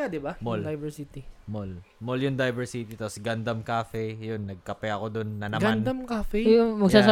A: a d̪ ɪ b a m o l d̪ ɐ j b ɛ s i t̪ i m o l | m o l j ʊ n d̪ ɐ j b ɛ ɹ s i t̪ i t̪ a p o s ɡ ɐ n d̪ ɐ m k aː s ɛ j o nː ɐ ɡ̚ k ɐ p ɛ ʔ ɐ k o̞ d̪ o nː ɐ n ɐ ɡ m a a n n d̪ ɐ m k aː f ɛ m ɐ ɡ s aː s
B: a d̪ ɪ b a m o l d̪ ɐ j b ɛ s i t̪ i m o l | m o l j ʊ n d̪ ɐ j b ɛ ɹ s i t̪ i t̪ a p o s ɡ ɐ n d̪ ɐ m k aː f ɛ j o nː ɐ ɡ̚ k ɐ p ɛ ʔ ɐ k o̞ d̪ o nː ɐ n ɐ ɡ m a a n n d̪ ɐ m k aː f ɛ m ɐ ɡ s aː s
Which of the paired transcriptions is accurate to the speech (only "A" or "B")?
B